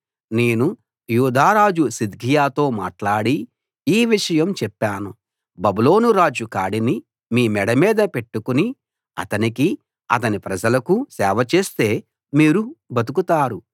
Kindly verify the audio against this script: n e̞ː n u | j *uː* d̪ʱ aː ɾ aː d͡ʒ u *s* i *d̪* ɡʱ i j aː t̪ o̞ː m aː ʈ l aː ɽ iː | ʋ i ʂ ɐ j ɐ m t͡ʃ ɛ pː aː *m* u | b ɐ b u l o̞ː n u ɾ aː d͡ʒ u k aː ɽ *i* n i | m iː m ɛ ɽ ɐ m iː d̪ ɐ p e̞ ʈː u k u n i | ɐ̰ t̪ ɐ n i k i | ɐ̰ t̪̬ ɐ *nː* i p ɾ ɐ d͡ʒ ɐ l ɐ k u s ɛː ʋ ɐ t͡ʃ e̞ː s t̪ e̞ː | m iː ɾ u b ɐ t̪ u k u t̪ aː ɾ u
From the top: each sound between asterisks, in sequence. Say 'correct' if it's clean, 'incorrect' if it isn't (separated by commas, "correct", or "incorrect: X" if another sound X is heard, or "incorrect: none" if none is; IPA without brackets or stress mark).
correct, correct, correct, incorrect: n, correct, incorrect: n